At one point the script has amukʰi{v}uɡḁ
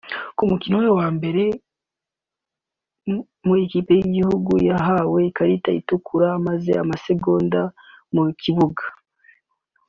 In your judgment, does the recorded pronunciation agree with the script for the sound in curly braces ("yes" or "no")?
no